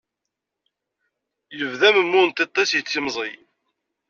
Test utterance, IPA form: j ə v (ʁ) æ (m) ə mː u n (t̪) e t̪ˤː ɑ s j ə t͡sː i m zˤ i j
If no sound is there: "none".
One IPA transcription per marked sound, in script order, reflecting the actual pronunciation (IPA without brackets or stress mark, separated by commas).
ð, m, t̪